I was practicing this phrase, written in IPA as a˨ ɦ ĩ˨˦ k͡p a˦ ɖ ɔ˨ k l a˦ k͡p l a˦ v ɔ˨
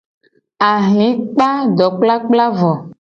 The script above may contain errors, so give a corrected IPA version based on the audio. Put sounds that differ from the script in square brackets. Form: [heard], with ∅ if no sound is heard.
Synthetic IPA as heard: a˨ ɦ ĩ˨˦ k͡p a˦ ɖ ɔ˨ [k͡p] l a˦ k͡p l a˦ v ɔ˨